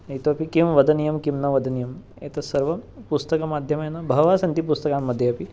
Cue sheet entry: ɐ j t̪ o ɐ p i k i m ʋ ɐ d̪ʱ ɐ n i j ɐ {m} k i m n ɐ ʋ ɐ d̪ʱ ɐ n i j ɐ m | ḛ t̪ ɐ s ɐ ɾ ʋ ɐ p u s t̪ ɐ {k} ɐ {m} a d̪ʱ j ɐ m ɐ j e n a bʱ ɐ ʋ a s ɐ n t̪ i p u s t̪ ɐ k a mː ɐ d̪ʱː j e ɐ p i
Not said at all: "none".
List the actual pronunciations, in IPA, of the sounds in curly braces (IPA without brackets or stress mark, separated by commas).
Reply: m, k, m